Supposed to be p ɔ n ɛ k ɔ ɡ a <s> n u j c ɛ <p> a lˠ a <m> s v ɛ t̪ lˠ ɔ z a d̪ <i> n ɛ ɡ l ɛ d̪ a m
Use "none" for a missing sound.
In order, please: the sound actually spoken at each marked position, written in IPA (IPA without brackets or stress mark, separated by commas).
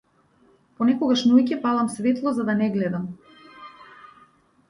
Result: ʃ, p, m, a